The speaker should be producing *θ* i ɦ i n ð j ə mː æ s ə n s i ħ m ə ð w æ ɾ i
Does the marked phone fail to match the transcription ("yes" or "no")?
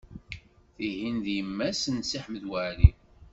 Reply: no